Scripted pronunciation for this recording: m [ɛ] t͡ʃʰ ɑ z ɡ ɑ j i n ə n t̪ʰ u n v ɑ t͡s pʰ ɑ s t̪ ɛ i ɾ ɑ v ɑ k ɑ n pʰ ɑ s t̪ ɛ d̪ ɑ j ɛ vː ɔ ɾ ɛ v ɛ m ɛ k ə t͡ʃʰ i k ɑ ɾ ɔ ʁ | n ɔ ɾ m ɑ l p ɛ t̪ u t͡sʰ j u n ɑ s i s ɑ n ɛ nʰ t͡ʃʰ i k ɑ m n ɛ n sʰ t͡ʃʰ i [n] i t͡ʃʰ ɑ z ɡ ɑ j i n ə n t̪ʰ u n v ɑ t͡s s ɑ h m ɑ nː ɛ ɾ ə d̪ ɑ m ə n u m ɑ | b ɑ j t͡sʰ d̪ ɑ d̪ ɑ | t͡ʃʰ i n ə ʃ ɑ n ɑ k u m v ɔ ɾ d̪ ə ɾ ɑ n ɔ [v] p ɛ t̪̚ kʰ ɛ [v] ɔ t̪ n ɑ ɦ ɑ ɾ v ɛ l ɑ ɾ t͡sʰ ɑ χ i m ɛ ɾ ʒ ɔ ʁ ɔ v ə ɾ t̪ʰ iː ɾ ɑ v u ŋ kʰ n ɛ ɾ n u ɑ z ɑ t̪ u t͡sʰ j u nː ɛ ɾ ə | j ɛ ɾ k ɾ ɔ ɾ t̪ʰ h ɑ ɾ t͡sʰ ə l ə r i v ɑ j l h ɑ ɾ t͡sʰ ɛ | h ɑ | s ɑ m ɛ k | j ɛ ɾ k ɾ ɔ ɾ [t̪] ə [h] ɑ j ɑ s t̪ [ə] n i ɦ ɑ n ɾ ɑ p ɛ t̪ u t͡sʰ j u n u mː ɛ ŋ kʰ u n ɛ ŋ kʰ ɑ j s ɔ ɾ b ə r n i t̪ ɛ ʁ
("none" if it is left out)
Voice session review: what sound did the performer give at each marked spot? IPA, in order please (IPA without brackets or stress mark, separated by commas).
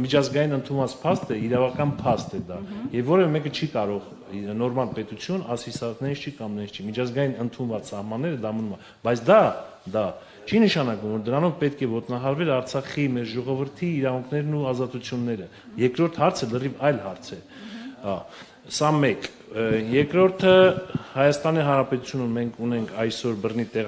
i, m, v, v, t̪ʰ, h, ɑ